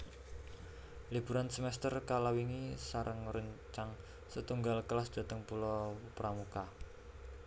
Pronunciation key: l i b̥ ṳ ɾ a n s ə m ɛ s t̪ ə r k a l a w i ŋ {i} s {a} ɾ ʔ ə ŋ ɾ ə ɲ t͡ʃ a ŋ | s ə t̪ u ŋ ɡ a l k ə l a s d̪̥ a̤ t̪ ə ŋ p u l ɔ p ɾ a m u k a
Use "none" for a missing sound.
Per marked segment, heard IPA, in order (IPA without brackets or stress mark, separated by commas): i, a